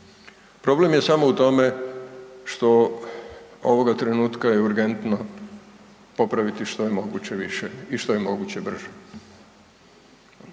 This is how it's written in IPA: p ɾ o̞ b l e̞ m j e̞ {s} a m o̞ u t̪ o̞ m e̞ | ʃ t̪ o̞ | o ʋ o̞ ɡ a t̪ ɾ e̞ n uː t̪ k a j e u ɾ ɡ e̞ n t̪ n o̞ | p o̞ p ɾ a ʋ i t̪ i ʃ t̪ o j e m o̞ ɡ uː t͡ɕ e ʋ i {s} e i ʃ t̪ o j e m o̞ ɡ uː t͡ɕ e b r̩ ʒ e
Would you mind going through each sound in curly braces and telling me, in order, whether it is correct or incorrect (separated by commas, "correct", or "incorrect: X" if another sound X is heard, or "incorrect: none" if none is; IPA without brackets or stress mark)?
correct, incorrect: ʃ